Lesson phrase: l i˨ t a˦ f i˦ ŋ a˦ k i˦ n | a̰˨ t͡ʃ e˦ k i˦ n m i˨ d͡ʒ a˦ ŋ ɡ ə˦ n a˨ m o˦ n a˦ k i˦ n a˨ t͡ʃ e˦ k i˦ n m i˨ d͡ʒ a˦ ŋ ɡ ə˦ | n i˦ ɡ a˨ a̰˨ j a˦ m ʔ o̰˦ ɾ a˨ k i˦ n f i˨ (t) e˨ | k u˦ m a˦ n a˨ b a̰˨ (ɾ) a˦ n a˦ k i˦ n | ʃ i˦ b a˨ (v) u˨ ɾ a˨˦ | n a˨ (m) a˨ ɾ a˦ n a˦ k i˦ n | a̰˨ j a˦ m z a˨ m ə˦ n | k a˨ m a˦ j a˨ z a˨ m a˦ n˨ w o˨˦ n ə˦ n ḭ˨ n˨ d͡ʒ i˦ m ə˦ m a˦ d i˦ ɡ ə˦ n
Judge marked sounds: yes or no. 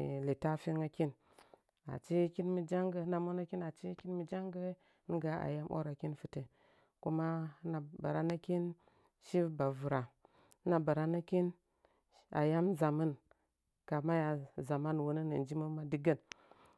yes, yes, yes, no

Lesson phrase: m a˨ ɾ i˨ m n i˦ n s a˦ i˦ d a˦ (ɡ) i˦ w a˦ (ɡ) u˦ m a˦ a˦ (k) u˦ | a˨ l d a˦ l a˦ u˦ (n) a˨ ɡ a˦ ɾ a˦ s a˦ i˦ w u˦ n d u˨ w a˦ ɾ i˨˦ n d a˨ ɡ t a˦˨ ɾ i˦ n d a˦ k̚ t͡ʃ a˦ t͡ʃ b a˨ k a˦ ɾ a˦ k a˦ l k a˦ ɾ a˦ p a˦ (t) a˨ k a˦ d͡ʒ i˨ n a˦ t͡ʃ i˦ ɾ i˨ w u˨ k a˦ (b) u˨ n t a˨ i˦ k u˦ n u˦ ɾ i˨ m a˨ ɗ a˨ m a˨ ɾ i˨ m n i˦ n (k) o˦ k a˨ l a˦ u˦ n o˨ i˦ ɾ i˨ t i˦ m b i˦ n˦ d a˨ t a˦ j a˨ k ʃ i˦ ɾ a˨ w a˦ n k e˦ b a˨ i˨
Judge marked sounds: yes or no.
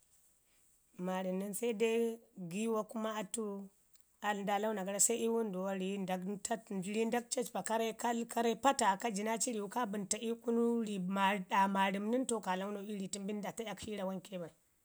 yes, no, no, yes, yes, yes, no

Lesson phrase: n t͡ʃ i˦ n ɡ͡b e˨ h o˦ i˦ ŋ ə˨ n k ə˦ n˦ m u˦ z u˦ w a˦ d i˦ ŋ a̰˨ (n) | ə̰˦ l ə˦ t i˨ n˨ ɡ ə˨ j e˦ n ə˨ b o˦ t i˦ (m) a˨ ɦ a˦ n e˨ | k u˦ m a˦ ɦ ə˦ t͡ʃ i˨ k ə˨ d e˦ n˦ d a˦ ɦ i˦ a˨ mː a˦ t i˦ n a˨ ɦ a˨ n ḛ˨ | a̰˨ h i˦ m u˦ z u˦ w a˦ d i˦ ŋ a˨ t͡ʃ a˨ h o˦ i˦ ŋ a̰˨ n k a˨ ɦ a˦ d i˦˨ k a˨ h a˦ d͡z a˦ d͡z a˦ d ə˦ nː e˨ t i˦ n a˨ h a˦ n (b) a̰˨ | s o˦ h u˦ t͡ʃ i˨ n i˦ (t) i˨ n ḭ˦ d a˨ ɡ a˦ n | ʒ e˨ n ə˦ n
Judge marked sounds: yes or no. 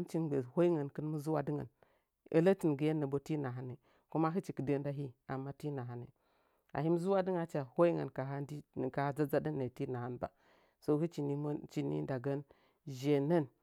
yes, no, yes, no

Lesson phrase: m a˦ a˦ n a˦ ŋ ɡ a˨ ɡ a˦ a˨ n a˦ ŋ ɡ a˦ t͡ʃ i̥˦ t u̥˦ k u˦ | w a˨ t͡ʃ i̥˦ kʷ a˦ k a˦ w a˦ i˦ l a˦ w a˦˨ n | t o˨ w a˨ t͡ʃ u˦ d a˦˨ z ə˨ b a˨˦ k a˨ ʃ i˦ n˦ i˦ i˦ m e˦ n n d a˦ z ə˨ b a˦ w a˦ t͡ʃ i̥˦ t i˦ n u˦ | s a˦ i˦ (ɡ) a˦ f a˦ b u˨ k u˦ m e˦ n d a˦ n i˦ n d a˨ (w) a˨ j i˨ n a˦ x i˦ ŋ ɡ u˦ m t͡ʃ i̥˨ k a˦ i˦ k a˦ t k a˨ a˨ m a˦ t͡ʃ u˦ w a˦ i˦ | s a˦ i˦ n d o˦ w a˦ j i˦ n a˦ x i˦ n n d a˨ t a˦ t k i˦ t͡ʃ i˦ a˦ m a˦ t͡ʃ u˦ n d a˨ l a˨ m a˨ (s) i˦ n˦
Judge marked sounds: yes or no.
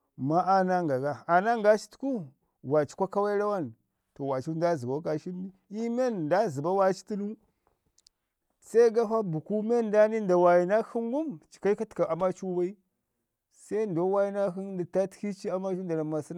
yes, yes, yes

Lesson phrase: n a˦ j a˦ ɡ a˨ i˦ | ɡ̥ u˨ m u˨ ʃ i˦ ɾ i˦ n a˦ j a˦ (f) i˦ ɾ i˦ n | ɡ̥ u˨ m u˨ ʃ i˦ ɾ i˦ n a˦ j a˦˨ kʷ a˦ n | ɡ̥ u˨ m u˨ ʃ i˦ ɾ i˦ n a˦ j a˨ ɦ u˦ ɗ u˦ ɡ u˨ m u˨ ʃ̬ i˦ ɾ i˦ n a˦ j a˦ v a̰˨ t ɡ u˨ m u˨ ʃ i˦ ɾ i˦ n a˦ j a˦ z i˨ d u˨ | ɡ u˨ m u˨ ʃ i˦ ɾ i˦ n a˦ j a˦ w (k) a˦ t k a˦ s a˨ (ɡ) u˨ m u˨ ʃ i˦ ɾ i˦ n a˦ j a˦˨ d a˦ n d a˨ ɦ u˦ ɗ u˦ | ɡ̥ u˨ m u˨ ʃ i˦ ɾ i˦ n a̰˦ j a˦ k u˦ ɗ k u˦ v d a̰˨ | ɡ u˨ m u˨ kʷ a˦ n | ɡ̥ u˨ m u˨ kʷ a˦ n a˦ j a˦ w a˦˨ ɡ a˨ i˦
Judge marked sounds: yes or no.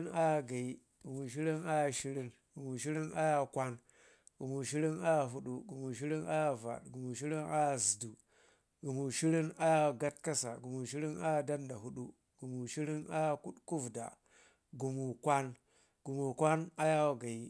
no, no, yes

